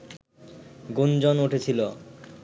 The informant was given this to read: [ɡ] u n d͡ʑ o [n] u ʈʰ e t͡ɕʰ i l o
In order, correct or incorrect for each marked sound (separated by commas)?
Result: correct, correct